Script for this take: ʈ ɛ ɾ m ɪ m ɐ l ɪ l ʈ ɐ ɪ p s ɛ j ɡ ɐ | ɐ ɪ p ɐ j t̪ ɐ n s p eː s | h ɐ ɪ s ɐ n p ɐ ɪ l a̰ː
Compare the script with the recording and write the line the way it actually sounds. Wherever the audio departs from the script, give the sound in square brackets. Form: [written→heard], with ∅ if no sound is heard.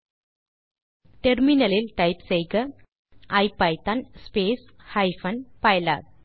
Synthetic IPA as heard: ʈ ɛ ɾ m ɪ [m→n] ɐ l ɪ l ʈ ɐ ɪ p s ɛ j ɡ ɐ | ɐ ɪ p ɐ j t̪ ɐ n s p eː s | h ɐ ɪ [s→f] ɐ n p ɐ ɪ l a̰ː